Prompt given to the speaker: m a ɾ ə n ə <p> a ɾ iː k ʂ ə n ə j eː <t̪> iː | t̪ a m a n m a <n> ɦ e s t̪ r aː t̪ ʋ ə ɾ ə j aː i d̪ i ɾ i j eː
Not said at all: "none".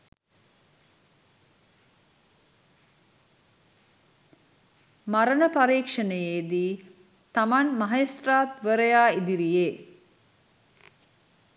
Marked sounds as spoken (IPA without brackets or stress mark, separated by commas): p, d̪, none